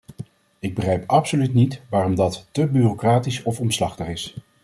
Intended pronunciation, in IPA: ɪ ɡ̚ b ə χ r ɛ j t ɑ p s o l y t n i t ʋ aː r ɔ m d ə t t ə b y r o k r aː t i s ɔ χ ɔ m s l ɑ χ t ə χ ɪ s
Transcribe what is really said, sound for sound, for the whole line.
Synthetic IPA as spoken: ɪ ɡ̚ b ə χ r ɛ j p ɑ p s o l y t n i t ʋ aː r ɔ m d ɑ t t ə b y r o k r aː t i s ɔ f ɔ m s l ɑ χ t ə χ ɪ s